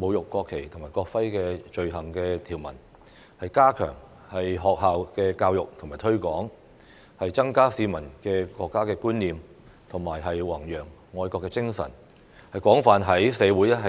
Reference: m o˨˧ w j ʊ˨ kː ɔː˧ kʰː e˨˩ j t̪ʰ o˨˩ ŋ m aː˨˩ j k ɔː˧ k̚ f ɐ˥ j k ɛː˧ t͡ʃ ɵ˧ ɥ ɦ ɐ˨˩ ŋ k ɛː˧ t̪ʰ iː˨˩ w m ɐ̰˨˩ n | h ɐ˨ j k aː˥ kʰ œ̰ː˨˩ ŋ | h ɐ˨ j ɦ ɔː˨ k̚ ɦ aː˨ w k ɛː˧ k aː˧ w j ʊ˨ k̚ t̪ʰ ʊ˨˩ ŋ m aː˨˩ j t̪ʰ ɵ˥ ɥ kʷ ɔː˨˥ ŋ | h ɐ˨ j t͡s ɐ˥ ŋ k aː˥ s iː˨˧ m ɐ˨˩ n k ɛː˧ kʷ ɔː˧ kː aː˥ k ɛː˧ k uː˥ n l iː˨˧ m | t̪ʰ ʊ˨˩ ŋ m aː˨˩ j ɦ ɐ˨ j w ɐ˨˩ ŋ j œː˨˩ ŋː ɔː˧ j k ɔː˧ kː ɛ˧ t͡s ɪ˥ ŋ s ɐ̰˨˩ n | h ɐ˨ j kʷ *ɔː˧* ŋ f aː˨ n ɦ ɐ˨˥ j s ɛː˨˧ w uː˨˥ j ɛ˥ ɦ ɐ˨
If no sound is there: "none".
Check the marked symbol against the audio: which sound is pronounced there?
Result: ɔː˨˥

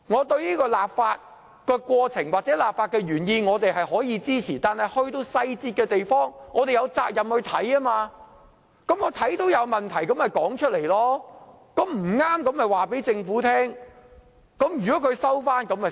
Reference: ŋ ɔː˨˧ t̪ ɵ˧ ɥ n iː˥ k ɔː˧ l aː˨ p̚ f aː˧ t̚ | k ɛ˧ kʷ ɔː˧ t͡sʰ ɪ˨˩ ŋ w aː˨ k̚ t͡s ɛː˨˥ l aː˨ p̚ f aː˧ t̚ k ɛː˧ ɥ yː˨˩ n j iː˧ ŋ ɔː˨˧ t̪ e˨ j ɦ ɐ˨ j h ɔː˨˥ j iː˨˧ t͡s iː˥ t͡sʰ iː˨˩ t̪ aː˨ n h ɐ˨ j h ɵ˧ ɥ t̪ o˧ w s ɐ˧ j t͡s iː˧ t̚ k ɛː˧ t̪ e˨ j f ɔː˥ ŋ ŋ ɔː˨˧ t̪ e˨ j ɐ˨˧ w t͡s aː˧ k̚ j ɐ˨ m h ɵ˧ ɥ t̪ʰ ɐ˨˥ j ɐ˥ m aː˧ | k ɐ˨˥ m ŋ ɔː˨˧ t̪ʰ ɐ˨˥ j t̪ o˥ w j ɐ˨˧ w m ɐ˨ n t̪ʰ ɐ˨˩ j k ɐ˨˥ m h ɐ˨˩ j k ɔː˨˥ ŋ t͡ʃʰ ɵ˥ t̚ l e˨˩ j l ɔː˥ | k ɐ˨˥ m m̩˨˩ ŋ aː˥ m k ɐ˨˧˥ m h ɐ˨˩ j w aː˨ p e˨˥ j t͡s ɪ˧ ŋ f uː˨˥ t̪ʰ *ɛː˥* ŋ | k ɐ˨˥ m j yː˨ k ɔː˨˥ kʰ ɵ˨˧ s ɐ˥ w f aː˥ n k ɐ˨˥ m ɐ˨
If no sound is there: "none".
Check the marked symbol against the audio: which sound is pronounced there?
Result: ɛː˥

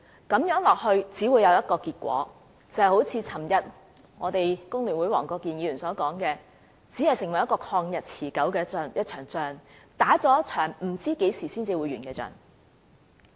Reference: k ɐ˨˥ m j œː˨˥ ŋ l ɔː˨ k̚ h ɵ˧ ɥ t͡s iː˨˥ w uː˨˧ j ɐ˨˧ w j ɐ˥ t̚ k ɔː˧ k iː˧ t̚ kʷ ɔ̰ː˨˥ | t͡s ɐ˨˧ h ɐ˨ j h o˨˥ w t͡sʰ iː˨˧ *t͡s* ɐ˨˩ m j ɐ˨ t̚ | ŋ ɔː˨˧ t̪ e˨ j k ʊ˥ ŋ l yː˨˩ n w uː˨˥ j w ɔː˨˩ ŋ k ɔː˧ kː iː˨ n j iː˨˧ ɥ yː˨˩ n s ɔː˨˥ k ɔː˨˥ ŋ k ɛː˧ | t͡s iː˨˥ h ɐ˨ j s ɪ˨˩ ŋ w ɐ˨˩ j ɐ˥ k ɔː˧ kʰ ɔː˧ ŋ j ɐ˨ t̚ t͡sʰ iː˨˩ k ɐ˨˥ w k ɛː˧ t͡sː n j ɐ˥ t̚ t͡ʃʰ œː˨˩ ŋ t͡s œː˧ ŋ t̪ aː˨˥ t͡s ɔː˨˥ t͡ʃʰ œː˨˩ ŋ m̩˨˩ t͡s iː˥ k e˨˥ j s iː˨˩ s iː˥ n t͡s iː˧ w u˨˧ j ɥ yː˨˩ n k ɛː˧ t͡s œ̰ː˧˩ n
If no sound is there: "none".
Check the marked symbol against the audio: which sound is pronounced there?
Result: t͡sʰ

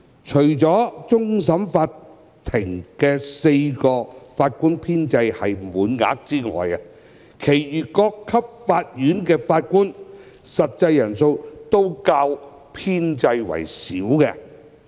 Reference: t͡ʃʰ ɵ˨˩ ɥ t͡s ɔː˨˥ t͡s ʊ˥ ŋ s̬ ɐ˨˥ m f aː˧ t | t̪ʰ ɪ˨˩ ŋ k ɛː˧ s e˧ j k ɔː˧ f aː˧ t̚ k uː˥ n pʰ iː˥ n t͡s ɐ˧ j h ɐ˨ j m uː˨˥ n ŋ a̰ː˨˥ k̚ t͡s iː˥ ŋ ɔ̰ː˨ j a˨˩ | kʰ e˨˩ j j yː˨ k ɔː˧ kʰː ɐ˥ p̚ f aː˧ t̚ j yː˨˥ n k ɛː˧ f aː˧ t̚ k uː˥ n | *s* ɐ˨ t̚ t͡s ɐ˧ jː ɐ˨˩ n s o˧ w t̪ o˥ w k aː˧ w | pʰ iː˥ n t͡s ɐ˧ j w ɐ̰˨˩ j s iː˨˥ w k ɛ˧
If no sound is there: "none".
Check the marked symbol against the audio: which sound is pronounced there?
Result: s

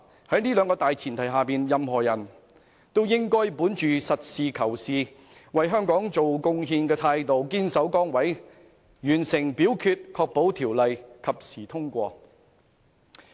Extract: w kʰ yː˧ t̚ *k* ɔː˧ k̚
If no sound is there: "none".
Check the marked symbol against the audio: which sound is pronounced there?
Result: kʰ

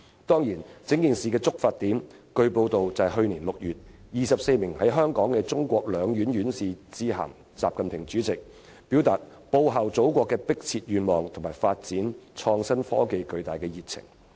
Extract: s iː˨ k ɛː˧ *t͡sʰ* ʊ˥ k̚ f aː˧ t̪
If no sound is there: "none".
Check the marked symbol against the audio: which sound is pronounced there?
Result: t͡s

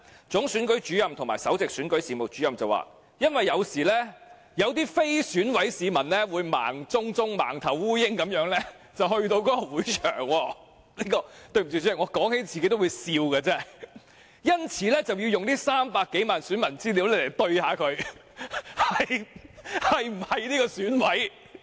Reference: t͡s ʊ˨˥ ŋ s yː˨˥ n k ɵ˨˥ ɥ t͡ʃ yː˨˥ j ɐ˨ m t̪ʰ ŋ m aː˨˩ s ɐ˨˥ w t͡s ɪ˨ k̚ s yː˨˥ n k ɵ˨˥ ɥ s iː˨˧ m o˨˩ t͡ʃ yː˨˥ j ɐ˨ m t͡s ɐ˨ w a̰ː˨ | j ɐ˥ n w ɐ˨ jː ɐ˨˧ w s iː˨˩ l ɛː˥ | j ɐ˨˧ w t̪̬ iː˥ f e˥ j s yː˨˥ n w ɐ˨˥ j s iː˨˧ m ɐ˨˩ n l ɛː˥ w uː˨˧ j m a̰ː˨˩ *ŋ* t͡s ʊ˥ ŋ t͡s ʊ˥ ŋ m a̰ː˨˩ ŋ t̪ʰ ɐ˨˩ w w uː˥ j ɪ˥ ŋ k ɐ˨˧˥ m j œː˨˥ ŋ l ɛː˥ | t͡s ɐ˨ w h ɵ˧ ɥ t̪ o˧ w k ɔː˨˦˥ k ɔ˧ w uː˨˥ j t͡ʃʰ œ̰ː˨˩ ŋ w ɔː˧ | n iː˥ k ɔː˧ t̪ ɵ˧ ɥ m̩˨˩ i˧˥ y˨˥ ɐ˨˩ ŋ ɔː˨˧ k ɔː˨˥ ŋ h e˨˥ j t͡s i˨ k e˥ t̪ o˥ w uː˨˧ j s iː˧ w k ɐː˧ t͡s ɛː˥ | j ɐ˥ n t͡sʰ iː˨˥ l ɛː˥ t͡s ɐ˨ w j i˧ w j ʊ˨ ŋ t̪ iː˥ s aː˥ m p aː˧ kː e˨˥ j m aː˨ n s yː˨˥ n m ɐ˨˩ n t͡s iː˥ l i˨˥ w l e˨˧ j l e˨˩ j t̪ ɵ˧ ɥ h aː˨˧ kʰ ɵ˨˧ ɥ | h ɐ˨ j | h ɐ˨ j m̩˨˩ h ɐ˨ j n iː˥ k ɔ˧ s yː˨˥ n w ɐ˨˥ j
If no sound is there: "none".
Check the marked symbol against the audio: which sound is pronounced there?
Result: ŋ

